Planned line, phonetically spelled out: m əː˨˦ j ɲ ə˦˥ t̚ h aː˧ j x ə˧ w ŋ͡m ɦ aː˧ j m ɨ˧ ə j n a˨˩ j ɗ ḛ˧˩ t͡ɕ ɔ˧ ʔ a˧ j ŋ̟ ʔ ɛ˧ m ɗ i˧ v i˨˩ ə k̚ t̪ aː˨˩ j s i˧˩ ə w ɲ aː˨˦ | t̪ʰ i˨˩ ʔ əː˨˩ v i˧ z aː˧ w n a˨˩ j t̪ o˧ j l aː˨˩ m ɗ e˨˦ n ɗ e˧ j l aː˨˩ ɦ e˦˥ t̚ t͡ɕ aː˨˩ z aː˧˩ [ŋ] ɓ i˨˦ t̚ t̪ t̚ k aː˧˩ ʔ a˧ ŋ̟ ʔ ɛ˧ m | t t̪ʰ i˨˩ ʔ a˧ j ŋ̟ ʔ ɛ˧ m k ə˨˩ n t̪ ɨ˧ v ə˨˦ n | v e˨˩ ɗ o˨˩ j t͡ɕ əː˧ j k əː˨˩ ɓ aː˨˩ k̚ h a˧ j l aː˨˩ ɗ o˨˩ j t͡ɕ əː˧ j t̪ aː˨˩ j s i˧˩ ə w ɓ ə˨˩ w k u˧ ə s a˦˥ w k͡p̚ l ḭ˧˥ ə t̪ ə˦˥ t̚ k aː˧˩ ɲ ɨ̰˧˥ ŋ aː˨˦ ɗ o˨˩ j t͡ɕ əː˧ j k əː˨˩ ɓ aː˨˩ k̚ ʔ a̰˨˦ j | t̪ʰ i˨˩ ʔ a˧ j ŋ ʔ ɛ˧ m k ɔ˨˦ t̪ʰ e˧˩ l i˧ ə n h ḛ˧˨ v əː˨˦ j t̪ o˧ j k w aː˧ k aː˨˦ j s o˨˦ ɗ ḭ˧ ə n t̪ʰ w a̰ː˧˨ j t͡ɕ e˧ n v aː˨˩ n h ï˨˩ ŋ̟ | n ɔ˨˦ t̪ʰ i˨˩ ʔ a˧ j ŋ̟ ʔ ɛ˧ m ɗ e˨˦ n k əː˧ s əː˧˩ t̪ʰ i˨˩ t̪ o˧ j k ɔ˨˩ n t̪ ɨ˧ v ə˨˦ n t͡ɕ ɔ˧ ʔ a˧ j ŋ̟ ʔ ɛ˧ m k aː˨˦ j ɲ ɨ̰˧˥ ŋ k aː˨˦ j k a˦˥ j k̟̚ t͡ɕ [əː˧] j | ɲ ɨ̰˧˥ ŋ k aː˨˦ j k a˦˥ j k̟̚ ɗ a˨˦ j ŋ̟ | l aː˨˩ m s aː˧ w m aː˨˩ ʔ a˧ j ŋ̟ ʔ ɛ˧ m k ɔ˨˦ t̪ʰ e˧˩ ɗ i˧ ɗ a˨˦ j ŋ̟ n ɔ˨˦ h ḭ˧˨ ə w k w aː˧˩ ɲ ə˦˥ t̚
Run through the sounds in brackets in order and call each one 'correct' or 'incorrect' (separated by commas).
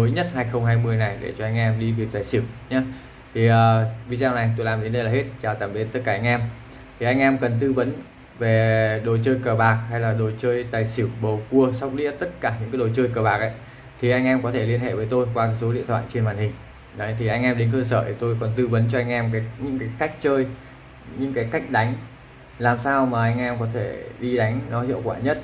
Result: incorrect, correct